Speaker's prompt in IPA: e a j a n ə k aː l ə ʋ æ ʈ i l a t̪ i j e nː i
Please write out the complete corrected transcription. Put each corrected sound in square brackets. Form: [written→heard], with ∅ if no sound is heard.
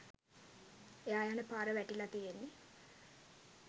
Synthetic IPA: e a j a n ə [k→p] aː [l→ɾ] ə ʋ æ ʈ i l a t̪ i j e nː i